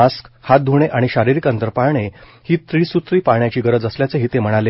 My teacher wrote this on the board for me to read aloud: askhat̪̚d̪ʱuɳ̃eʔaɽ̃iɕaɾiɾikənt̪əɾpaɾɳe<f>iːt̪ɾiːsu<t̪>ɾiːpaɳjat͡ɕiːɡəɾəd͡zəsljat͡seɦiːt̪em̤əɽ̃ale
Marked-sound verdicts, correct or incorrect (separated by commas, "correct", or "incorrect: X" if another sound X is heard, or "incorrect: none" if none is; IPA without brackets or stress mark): incorrect: h, correct